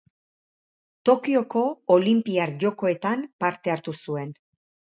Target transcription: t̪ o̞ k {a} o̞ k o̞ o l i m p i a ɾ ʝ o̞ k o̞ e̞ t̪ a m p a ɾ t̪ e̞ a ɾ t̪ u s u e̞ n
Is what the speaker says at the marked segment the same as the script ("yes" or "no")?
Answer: no